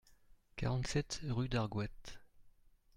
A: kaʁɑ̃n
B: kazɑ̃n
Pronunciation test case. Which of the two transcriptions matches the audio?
A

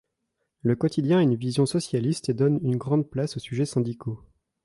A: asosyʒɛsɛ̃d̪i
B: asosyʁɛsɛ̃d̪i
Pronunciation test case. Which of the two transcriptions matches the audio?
A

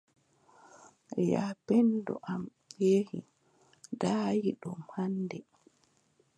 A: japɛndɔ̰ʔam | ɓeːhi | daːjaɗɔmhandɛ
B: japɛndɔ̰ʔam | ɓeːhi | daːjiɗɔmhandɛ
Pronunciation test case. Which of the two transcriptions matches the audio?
B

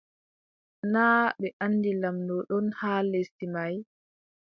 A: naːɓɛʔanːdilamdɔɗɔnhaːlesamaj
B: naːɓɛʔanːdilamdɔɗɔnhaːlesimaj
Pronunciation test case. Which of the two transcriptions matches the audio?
B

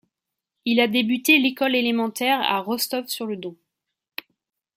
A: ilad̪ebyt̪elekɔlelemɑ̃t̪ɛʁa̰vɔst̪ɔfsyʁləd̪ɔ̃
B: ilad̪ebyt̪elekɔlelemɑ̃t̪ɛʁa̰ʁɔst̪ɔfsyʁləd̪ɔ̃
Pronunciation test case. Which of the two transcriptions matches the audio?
B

